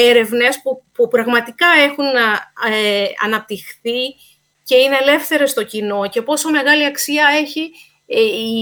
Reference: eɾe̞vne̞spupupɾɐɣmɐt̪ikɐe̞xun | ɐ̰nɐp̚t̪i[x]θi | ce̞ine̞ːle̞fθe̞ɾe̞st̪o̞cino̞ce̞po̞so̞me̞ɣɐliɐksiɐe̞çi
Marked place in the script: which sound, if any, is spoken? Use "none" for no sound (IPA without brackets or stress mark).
x